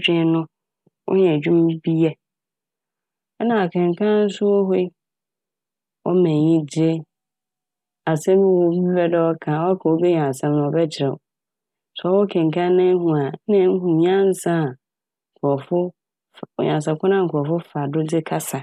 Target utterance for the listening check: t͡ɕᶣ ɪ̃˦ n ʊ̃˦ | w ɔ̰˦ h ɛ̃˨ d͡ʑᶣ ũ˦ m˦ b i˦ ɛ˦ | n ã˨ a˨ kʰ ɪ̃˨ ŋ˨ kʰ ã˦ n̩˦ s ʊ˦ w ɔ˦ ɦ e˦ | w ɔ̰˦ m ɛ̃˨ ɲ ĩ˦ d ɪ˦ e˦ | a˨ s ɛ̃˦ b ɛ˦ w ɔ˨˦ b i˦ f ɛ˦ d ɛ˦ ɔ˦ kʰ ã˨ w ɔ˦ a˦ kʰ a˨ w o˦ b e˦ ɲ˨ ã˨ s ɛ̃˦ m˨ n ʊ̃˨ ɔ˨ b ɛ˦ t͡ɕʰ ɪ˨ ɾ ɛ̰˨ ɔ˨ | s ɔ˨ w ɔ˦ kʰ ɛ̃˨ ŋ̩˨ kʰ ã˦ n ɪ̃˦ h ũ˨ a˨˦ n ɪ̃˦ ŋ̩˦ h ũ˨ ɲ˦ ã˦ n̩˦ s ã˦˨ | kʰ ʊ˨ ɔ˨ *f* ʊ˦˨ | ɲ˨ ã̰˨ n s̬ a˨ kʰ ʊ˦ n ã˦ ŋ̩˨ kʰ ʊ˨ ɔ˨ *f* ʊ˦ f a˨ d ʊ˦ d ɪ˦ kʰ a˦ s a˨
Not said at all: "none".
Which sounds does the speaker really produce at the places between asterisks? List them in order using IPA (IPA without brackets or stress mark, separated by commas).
f, f